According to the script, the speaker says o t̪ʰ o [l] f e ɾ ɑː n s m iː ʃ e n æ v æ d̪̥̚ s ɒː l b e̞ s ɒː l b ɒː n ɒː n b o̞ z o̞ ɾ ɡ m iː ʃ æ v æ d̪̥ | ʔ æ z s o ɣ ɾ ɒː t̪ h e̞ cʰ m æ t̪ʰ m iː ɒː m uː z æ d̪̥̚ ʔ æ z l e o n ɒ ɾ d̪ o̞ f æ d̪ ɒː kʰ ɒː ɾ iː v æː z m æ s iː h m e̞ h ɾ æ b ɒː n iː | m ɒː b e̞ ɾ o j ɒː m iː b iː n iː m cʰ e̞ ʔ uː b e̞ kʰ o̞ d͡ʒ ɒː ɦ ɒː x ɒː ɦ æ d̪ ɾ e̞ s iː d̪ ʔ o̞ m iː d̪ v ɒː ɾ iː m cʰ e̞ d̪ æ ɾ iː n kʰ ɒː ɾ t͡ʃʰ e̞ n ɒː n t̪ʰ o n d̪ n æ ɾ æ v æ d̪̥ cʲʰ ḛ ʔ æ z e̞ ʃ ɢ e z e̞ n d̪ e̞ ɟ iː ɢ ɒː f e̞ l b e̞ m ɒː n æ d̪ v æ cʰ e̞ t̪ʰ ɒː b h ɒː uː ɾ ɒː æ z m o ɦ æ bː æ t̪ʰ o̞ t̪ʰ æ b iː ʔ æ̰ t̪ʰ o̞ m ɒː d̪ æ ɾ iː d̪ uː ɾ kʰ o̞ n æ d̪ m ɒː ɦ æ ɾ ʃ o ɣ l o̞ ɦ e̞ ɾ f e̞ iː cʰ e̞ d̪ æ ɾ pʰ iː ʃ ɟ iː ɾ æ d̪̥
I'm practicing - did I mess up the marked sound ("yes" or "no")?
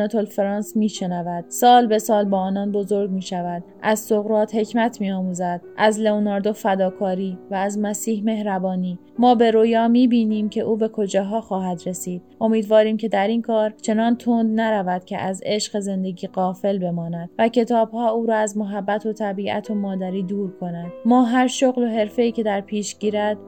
no